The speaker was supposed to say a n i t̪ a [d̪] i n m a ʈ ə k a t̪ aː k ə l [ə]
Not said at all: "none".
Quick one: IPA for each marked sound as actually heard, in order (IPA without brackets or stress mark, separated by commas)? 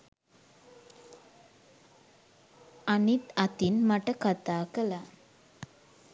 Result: t̪, a